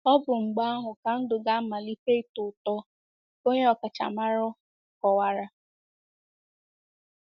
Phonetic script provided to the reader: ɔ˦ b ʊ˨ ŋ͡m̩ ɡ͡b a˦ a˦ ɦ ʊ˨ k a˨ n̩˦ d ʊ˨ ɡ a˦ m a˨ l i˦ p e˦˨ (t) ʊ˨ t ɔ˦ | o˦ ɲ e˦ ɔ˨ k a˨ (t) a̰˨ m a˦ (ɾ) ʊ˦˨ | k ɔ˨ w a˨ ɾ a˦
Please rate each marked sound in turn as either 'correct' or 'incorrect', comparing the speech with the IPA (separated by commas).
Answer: correct, incorrect, correct